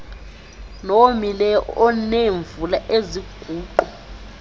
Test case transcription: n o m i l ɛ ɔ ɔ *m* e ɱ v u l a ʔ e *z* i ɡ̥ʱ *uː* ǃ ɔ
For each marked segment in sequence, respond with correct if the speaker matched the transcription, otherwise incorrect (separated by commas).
incorrect, correct, correct